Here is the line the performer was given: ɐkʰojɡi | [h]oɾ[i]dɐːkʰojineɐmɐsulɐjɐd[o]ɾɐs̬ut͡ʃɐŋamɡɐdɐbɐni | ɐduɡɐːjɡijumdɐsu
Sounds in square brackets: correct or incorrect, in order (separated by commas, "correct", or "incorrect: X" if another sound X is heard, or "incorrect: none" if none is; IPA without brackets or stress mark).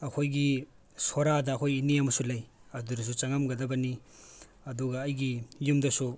incorrect: s, incorrect: a, incorrect: u